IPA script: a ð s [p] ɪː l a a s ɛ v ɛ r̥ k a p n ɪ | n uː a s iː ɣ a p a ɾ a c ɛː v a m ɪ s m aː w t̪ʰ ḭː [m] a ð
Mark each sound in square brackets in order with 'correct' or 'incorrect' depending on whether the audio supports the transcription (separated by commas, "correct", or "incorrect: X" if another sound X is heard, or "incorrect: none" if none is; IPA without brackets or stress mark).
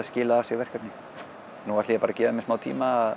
incorrect: c, correct